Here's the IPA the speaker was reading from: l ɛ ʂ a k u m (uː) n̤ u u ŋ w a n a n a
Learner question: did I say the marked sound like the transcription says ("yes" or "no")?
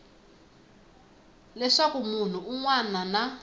no